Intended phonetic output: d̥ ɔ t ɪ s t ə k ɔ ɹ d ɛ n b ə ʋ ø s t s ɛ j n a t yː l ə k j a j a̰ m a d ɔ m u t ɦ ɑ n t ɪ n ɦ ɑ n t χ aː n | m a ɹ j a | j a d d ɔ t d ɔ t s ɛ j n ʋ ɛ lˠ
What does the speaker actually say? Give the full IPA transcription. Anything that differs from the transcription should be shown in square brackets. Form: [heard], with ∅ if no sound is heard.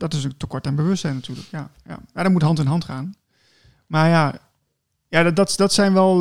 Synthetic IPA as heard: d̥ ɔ t ɪ s t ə k ɔ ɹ [t] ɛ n b ə ʋ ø s t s ɛ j n a t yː l ə k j a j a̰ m a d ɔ m u t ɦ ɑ n t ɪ n ɦ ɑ n t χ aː n | m a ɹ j a | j a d d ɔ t d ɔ t s ɛ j n ʋ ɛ lˠ